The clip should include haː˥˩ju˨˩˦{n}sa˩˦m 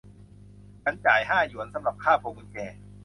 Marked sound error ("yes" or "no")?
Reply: no